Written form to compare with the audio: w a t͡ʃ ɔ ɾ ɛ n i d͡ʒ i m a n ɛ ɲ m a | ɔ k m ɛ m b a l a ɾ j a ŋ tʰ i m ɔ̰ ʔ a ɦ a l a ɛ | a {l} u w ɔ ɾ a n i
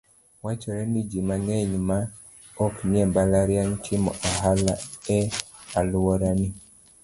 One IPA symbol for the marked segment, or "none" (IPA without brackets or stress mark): l